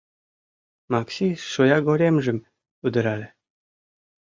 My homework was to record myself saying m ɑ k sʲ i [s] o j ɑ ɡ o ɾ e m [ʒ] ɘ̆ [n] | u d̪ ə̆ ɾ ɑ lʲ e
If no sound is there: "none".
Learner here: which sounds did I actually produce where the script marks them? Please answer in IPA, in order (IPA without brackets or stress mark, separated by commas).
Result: ʃ, ʒ, m